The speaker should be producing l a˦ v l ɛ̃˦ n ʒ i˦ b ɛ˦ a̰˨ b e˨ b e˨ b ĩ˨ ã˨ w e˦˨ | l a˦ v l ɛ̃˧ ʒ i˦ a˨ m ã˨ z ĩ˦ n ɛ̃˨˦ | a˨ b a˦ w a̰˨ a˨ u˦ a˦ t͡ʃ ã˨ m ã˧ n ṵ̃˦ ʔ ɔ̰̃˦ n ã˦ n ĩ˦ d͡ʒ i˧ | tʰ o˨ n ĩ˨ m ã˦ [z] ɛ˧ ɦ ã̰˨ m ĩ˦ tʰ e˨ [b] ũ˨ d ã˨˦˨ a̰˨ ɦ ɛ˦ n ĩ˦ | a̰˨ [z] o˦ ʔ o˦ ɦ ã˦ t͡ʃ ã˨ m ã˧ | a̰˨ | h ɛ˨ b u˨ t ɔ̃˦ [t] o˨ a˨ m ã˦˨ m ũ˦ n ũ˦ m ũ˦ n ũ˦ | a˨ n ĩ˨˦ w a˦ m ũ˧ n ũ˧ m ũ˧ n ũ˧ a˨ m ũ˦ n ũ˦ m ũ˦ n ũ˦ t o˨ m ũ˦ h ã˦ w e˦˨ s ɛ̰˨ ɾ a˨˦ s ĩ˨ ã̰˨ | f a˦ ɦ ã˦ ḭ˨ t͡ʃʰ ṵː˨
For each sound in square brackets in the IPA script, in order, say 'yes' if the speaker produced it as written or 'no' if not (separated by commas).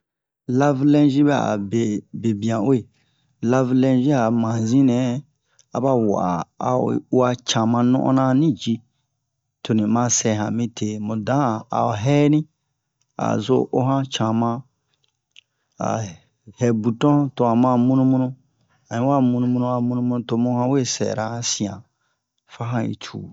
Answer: no, no, yes, yes